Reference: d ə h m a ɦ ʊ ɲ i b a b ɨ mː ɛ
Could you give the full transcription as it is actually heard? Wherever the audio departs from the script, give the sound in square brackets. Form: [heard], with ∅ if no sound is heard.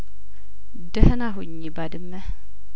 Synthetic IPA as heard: d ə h [n] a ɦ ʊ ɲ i b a [d] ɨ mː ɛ